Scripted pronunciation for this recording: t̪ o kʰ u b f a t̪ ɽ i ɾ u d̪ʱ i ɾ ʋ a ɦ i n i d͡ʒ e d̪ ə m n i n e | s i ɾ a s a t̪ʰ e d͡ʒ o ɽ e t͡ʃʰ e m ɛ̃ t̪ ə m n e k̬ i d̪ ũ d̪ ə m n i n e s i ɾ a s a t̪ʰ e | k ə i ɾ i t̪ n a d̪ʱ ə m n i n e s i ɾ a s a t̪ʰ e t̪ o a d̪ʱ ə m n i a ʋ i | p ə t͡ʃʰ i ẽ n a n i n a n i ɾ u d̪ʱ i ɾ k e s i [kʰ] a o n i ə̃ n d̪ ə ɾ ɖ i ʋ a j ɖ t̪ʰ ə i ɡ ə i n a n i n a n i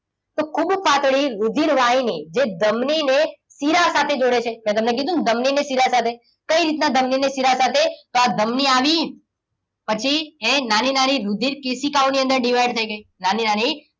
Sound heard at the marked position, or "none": k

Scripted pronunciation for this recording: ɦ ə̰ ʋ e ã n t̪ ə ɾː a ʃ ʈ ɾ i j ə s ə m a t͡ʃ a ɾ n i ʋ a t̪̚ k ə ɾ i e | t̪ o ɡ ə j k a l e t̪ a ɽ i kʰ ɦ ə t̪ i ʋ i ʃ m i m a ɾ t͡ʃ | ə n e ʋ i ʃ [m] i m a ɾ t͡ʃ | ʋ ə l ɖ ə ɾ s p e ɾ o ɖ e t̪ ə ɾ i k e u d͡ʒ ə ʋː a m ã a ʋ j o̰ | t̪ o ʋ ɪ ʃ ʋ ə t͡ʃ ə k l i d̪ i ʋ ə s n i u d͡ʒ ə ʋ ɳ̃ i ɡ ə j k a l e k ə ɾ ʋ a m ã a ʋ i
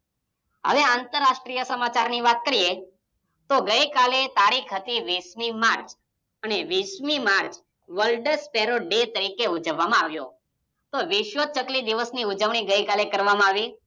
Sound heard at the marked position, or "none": m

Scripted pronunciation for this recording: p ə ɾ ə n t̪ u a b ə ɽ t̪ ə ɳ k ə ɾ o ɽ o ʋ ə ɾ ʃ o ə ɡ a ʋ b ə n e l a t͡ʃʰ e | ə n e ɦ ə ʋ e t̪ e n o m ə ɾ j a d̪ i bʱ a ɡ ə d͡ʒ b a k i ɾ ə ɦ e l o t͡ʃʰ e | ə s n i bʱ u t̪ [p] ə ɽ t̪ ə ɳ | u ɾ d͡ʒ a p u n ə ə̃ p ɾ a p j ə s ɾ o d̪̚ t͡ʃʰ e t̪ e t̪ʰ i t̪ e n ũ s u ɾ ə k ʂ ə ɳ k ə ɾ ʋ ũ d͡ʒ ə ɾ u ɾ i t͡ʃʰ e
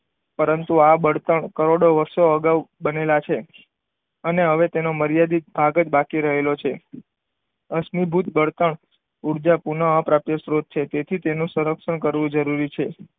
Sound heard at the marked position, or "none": b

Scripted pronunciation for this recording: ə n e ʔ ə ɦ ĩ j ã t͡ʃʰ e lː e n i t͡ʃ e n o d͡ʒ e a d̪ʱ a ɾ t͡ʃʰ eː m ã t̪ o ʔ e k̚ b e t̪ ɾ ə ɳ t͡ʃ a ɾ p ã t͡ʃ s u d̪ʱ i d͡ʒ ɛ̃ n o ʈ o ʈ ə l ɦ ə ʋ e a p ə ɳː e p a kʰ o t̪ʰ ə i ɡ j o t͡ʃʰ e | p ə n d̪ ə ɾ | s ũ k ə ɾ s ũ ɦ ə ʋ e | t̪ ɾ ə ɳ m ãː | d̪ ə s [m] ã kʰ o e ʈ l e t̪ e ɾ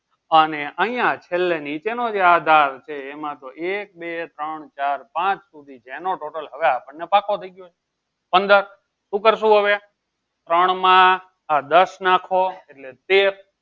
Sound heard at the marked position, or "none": n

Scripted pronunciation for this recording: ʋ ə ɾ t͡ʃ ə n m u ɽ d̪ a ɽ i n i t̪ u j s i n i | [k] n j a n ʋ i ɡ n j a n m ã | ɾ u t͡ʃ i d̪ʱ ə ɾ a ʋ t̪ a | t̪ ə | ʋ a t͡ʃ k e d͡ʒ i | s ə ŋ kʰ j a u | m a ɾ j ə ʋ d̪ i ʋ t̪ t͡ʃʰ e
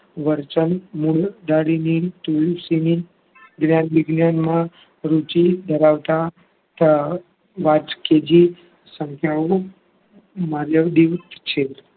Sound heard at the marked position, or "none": ɡ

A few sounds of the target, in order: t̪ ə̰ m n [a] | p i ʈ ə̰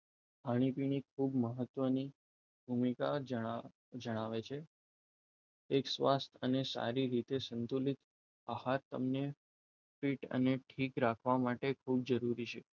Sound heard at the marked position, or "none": e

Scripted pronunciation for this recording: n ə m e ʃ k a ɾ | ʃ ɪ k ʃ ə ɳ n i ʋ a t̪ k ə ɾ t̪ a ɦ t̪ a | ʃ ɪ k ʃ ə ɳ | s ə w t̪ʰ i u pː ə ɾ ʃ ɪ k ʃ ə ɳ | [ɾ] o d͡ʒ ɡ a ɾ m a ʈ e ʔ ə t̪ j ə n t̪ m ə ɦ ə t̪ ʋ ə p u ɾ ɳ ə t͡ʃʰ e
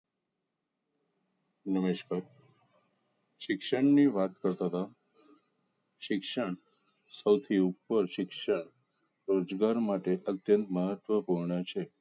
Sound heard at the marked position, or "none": ɾ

